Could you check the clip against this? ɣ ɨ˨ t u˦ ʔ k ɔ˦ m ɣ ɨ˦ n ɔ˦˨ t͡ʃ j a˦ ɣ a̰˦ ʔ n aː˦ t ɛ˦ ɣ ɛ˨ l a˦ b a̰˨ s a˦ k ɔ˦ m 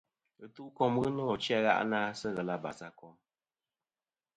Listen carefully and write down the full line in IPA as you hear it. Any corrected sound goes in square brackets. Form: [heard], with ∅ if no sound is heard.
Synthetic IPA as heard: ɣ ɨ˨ t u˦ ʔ k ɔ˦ m ɣ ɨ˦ n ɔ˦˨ t͡ʃ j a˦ ɣ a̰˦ ʔ n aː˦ [s] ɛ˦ ɣ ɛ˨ l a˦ b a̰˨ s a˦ k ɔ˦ m